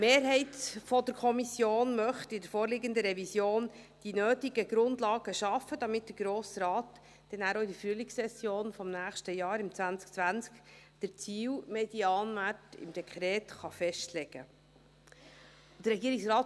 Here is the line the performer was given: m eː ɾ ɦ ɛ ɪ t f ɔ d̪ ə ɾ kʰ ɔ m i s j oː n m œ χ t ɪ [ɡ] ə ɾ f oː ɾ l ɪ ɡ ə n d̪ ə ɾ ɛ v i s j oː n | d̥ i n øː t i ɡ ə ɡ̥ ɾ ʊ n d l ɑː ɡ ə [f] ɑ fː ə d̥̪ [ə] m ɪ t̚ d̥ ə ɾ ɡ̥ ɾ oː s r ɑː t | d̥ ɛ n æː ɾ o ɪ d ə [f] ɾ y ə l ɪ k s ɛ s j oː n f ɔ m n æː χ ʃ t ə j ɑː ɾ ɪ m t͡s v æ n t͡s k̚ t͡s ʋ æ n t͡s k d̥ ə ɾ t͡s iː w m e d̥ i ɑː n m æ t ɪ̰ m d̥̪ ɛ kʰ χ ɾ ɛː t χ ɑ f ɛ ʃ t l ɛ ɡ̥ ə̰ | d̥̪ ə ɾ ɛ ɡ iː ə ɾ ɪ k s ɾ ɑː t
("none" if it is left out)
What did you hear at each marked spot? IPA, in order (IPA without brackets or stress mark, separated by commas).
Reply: d, ʃ, ɑ, f